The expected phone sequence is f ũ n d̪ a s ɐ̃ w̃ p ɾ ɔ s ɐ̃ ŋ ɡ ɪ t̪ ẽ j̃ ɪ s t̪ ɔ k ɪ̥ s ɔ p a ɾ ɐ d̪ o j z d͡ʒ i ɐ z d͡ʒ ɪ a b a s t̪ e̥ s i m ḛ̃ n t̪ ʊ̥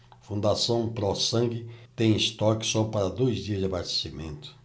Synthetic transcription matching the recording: f ũ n d̪ a s ɐ̃ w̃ p ɾ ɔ s ɐ̃ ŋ ɡ ɪ t̪ ẽ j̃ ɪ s t̪ ɔ k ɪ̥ s ɔ p a ɾ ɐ d̪ o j z d͡ʒ i ɐ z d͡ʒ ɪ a b a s t̪ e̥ s i m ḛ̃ n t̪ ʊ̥